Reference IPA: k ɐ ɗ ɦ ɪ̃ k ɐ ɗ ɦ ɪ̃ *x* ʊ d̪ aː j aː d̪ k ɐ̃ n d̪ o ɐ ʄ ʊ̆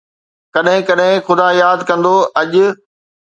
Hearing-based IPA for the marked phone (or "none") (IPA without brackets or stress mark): x